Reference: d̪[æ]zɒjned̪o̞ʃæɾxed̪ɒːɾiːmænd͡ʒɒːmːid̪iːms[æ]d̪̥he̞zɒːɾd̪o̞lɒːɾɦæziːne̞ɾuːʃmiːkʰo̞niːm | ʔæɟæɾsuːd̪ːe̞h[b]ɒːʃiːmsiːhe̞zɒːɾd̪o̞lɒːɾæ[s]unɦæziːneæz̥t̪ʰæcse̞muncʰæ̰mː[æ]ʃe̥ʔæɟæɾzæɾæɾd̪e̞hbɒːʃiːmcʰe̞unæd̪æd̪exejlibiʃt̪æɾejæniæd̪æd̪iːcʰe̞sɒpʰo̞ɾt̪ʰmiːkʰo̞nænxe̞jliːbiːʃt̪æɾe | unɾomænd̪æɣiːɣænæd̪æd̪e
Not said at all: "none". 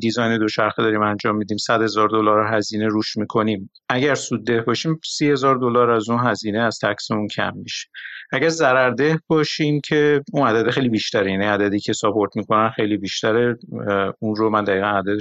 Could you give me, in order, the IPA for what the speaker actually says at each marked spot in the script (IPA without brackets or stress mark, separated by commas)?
i, æ, b, z, i